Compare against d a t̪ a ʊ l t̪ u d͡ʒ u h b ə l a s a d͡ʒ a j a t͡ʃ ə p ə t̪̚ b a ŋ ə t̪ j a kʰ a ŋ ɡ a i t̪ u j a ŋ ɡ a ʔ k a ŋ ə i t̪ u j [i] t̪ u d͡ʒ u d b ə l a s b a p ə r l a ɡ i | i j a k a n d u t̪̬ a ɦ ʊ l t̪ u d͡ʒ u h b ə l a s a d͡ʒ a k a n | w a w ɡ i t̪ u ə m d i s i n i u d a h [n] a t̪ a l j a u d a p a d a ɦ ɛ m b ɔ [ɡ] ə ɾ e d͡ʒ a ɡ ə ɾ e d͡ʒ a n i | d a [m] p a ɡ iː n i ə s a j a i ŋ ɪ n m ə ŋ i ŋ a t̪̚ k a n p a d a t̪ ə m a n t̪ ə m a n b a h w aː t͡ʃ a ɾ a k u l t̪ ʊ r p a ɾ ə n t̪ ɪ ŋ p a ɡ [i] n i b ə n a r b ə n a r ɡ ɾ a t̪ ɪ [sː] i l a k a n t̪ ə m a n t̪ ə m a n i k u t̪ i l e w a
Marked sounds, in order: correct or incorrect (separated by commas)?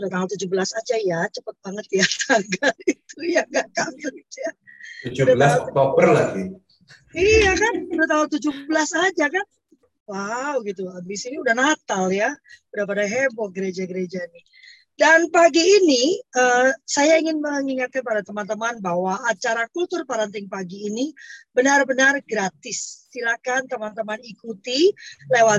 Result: incorrect, correct, correct, incorrect, incorrect, correct